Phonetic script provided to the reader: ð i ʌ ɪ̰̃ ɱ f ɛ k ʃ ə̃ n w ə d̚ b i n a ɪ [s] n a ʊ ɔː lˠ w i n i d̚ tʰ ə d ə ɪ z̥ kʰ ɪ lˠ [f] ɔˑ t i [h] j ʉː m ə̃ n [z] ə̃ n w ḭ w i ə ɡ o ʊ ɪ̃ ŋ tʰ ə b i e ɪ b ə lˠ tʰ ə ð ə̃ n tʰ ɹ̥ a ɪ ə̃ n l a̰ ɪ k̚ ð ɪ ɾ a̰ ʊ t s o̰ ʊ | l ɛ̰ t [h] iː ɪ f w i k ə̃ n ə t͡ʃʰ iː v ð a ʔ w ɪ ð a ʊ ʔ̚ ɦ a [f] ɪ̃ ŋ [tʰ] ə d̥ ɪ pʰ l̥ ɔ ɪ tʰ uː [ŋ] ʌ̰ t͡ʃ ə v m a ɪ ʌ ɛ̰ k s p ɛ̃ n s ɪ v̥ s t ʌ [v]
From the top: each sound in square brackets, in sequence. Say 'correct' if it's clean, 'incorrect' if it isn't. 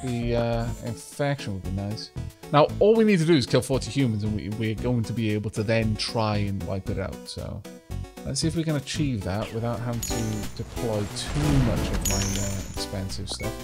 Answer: correct, correct, correct, correct, incorrect: s, incorrect: v, correct, incorrect: m, incorrect: f

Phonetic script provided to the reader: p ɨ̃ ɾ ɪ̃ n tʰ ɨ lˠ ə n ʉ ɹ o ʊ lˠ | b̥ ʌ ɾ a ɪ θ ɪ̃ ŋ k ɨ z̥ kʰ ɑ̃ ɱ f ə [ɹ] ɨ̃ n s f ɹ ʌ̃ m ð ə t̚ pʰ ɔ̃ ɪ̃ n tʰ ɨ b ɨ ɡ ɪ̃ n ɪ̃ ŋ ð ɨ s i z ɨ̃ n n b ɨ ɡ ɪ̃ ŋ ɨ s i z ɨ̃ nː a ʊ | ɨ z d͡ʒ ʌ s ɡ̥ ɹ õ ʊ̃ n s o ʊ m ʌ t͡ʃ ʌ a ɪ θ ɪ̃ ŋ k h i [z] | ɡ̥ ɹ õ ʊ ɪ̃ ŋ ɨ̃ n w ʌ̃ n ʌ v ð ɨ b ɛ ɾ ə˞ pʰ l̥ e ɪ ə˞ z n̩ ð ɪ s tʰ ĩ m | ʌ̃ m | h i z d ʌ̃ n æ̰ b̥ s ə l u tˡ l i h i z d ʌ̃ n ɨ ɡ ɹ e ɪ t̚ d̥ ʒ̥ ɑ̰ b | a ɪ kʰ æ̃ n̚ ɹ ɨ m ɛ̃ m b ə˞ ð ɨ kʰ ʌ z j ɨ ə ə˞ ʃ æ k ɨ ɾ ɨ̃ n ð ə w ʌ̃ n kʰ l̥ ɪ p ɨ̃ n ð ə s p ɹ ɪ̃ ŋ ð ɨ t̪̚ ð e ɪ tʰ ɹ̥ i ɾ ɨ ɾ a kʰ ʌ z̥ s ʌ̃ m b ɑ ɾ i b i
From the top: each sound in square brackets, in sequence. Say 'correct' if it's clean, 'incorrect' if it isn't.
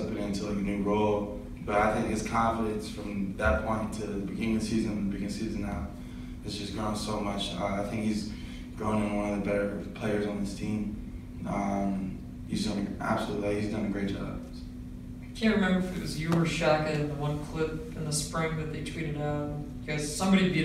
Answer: incorrect: ɾ, correct

